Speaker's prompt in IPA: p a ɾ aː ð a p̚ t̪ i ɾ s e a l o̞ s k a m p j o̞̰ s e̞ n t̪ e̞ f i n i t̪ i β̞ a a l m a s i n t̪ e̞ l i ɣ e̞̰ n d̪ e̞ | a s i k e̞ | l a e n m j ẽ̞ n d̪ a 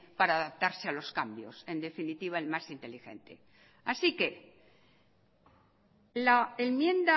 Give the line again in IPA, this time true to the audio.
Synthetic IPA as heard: p a ɾ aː ð a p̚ t̪ a ɾ s e a l o̞ s k a m b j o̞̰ s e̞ n d̪ e̞ f i n i t̪ i β̞ a e l m a s i n t̪ e̞ l i x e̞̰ n t̪ e̞ | a s i k e̞ | l a e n m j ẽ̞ n d̪ a